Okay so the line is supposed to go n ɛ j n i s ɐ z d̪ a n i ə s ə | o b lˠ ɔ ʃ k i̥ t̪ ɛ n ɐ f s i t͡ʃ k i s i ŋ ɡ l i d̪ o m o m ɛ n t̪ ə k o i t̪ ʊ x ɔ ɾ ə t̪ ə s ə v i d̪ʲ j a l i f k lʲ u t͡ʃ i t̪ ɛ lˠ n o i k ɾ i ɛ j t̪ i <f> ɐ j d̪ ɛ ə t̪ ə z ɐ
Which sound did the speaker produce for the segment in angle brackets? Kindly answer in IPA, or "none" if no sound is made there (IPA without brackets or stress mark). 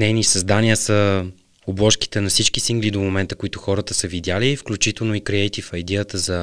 f